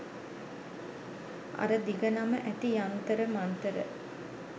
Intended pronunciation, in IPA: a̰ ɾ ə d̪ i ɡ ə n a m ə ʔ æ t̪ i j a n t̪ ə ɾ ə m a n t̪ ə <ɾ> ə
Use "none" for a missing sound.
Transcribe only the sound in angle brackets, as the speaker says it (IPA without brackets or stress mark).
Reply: ɾ